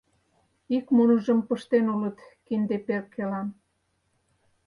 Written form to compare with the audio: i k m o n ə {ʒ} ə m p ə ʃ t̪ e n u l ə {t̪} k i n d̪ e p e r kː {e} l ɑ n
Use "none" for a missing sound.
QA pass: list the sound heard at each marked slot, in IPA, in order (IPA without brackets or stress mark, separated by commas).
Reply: ʒ, t̪, e